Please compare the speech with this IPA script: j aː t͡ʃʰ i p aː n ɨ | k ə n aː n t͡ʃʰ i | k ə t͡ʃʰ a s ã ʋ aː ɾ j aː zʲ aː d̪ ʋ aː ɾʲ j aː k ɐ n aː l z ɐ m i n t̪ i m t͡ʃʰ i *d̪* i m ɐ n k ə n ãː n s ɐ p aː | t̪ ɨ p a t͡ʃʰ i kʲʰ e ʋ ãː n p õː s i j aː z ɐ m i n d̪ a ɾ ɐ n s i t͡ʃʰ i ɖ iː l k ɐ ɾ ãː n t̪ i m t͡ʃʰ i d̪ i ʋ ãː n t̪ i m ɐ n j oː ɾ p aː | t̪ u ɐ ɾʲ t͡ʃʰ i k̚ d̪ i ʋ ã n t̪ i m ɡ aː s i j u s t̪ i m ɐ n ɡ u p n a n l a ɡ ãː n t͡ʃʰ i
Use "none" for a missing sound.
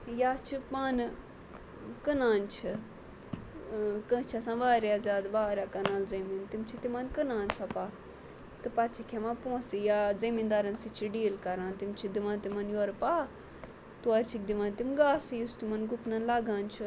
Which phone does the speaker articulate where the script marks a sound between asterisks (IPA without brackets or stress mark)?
t̪